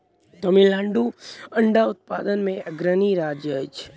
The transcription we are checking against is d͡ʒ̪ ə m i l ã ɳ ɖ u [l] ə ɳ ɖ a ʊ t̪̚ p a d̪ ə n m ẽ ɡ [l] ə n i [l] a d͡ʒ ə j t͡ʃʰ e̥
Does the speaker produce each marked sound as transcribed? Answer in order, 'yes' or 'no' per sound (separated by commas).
no, no, no